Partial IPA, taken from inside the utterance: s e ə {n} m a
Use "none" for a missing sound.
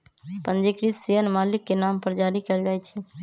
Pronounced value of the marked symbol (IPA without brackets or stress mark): n